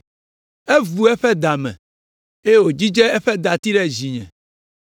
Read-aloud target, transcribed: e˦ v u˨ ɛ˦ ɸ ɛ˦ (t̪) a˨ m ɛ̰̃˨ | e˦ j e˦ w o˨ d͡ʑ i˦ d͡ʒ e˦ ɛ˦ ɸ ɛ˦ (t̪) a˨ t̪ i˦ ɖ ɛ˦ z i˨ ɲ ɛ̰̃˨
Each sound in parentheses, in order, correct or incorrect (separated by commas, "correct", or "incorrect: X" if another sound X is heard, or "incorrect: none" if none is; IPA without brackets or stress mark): incorrect: d̪, incorrect: d̪